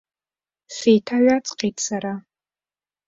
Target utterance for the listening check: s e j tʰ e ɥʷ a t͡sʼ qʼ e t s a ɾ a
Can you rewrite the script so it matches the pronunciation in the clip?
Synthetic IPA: s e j tʰ a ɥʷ a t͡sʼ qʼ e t s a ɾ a